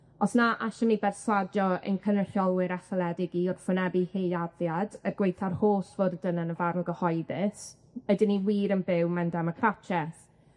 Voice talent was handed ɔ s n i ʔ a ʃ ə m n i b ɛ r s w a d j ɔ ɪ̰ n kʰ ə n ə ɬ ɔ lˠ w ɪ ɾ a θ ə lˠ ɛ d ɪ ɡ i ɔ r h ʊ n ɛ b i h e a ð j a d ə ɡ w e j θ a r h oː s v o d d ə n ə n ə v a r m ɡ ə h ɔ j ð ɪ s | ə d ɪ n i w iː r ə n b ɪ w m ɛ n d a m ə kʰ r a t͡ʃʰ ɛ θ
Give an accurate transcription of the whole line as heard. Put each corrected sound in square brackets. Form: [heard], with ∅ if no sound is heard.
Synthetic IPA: ɔ s n [a] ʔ a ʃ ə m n i b ɛ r s w a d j ɔ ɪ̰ n kʰ ə n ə ɬ ɔ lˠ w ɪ ɾ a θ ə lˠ ɛ d ɪ ɡ i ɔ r [f] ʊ n ɛ b i h e a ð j a d ə ɡ w e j θ a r h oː s v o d d ə n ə n ə v a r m ɡ ə h ɔ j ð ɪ s | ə d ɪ n i w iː [ɾ] ə n b ɪ w m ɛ n d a m ə kʰ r a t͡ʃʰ ɛ θ